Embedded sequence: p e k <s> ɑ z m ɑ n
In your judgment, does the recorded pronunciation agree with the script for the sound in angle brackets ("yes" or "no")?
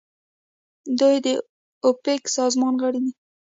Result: yes